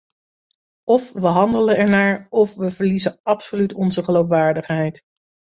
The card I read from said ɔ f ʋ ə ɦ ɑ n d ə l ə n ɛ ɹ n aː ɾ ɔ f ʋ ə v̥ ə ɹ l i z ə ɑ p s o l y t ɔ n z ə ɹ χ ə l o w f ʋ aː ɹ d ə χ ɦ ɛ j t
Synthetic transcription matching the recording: ɔ f ʋ ə ɦ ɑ n d ə l ə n ɛ ɹ n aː ɹ ɔ f ʋ ə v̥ ə ɹ l i z ə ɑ p s o l y t ɔ n z ə χ ə l o w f ʋ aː ɹ d ə χ ɦ ɛ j t